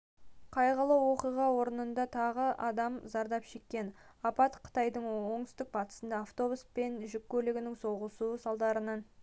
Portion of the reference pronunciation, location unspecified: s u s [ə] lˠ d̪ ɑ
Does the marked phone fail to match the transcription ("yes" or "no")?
yes